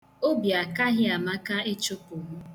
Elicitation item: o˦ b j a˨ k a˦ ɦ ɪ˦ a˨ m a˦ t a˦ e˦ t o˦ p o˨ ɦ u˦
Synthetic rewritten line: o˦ b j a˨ k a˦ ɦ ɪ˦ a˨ m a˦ k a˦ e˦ t͡ʃ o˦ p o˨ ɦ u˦